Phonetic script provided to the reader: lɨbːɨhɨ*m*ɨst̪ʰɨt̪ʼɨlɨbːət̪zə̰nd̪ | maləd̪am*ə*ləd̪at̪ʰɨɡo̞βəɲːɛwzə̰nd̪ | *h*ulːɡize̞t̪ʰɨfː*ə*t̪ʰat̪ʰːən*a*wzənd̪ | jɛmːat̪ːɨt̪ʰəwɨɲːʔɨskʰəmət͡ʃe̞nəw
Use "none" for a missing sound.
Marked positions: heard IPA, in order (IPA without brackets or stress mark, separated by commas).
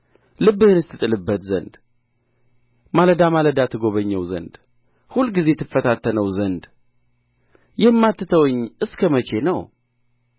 n, a, h, ə, ə